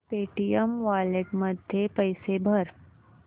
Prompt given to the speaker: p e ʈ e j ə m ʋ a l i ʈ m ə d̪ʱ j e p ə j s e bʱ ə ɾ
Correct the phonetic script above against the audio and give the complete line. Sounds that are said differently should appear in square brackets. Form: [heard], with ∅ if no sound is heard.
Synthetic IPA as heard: p e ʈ [i] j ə m ʋ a l [e] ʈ m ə d̪ʱ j e p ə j s e bʱ ə ɾ